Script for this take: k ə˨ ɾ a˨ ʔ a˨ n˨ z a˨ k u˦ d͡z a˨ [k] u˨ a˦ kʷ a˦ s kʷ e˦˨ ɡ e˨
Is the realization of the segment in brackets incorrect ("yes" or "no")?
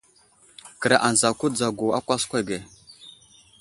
yes